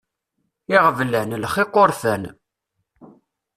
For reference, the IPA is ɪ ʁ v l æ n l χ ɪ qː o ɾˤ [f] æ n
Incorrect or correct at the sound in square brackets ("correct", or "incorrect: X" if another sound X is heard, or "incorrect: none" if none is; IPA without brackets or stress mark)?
correct